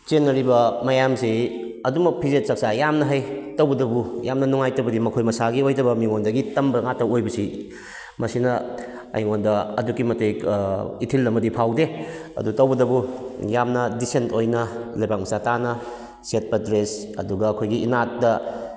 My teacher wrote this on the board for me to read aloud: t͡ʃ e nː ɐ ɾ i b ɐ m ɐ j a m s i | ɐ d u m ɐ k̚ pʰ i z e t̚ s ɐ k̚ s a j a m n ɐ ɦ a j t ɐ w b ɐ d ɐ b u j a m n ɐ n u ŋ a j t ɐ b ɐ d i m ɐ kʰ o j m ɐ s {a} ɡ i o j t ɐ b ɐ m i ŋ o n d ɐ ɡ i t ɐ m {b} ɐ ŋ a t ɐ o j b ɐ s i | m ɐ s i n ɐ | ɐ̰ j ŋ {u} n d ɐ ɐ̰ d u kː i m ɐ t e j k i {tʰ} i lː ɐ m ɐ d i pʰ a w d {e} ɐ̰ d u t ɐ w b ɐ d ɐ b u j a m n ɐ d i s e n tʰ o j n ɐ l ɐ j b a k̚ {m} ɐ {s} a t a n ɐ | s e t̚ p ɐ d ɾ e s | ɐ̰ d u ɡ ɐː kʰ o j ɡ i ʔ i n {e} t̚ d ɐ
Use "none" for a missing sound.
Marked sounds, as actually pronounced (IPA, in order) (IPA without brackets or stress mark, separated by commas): a, b, o, tʰ, e, m, s, a